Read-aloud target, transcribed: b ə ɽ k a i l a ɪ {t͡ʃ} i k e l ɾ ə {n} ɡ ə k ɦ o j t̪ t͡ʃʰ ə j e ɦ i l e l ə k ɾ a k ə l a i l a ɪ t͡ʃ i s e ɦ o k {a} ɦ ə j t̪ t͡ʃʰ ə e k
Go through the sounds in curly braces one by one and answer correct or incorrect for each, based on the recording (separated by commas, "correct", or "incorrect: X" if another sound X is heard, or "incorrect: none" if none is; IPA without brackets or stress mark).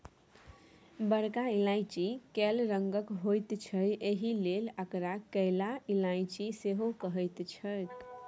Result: correct, incorrect: ŋ, incorrect: ə